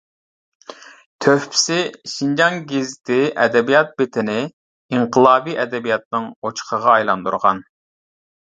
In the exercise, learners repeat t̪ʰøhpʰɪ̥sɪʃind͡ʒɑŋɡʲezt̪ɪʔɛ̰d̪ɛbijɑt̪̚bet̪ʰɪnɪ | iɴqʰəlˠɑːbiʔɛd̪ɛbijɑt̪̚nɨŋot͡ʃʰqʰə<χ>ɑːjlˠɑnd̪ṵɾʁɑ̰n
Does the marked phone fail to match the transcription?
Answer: yes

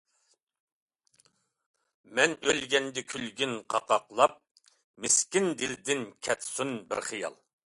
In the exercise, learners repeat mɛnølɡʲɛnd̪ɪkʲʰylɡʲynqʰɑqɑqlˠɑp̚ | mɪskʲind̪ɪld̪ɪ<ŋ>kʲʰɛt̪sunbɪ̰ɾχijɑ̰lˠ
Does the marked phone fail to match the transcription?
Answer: yes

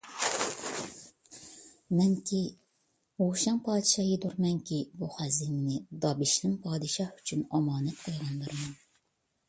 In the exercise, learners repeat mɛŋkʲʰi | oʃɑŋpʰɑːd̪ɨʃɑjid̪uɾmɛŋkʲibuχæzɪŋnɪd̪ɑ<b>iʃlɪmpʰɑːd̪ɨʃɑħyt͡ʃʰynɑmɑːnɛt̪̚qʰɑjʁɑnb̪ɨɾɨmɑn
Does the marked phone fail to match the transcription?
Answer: no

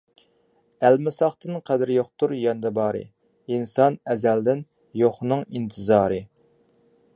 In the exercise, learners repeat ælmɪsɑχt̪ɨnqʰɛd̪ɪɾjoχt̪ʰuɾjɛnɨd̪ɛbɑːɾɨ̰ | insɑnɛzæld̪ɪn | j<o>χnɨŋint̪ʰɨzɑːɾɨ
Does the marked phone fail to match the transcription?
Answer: no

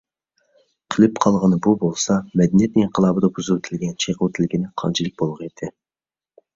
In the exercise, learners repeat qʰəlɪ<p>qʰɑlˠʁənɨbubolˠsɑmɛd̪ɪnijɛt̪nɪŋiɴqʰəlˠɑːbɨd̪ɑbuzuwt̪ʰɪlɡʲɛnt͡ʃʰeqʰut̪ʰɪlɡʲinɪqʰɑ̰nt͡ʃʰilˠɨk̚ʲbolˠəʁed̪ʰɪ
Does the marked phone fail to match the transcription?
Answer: no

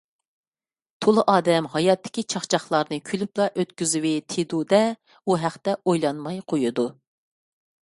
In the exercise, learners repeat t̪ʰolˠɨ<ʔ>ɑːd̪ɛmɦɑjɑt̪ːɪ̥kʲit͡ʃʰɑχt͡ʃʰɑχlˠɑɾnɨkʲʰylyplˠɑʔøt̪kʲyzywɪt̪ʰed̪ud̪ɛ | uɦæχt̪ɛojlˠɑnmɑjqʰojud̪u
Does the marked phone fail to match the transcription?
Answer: no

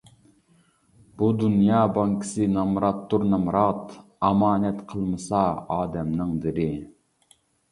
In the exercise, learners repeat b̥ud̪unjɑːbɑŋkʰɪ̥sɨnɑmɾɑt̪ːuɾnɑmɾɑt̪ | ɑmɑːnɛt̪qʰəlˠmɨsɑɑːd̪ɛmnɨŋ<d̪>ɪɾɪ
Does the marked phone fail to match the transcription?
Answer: no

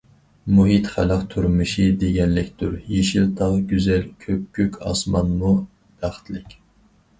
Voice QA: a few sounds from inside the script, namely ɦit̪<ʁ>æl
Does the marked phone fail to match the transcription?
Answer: yes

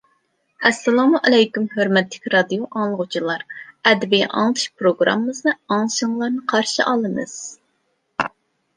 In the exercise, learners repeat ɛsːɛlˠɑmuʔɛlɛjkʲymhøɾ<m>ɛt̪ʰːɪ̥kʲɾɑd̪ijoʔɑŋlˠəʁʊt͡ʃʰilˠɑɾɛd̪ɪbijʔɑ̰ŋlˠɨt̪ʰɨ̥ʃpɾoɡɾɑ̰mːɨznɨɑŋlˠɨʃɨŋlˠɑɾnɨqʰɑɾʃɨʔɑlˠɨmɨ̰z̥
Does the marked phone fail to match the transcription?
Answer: no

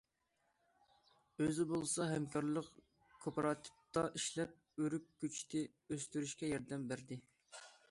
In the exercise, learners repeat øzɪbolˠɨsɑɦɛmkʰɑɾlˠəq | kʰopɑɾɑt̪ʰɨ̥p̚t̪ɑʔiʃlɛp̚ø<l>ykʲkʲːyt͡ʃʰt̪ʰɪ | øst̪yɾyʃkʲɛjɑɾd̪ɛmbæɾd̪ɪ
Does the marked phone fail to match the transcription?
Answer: yes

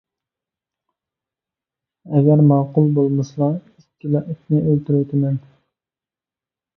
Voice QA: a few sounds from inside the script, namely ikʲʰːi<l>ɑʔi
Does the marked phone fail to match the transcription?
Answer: no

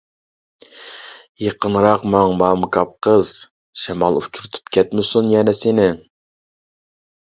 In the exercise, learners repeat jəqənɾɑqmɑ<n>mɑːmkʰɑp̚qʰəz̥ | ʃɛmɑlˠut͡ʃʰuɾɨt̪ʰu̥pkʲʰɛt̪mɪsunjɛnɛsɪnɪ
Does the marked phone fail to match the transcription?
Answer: yes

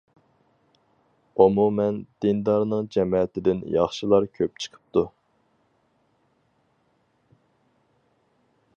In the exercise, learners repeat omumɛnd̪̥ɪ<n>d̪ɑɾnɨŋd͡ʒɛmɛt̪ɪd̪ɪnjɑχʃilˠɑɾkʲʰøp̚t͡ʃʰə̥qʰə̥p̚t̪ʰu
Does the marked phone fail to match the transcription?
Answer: no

